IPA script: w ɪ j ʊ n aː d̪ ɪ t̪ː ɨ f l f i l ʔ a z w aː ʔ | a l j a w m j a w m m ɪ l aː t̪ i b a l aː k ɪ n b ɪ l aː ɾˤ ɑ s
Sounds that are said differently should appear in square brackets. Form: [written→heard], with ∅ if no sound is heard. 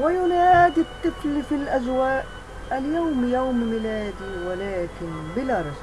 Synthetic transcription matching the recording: w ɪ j ʊ n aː d̪ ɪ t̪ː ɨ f l f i l ʔ a z w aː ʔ | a l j a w m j a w m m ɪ l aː [t̪→d̪] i [b→w] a l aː k ɪ n b ɪ l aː ɾˤ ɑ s